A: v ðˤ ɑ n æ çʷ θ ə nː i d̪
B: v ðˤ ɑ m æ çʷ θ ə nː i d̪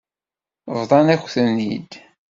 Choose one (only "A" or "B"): A